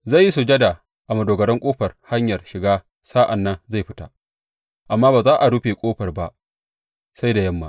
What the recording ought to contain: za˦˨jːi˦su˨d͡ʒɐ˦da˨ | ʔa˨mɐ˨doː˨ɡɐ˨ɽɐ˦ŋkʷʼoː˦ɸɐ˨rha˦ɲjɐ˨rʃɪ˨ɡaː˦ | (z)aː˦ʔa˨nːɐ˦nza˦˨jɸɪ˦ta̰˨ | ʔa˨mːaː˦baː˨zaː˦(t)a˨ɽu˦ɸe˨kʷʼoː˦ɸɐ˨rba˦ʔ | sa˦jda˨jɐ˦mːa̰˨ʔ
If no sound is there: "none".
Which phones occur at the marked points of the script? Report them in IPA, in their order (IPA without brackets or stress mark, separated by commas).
s, ʔ